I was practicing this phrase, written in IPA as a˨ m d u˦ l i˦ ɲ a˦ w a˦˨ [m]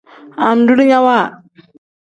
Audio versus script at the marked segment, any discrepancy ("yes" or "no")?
yes